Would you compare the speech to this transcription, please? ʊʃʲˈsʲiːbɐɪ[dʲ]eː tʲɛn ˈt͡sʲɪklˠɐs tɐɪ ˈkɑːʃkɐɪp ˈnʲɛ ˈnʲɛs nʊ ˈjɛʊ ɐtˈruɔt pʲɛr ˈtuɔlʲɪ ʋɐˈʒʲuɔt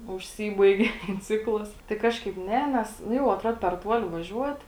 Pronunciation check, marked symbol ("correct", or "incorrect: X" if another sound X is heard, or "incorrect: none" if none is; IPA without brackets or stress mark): incorrect: ɡʲ